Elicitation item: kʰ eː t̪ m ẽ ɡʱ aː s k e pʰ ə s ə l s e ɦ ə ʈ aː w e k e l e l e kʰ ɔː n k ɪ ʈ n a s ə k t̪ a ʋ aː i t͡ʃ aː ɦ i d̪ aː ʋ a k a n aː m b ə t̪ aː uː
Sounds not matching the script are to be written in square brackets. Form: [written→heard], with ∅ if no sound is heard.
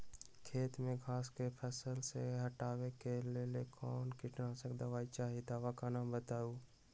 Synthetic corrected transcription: kʰ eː t̪ m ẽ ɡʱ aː s k e pʰ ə s ə l s e ɦ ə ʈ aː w e k e l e l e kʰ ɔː n k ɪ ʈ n a s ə k [t̪→d̪] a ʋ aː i t͡ʃ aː ɦ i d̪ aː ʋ a k a n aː m b ə t̪ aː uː